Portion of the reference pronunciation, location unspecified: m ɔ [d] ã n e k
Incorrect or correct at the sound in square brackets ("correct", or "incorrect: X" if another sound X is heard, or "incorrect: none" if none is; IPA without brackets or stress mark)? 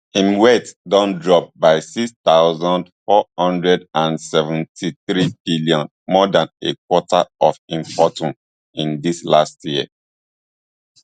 correct